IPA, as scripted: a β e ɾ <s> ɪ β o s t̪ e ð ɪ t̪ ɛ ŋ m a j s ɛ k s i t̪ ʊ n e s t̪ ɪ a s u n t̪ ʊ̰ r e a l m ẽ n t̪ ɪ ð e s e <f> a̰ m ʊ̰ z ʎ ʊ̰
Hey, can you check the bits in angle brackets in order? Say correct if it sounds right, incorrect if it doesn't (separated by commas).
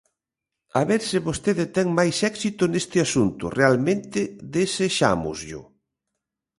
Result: correct, incorrect